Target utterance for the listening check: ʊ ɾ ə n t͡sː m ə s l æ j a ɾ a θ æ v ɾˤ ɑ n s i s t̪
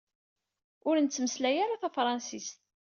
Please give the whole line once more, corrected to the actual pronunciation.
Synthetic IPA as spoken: ʊ ɾ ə n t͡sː m ə s l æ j a ɾ a θ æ f ɾˤ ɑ n s i s t̪